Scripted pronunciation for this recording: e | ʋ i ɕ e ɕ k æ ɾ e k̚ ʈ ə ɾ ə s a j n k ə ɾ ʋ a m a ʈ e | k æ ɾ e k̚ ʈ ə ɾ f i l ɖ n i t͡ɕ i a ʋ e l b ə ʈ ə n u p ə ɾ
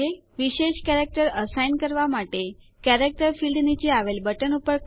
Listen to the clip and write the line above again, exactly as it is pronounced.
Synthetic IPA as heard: e | ʋ i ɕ e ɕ k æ ɾ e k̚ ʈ ə ɾ ə s a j n k ə ɾ ʋ a m a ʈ e | k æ ɾ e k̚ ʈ ə ɾ f i l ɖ n i t͡ɕ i a ʋ e l b ə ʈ ə n u p ə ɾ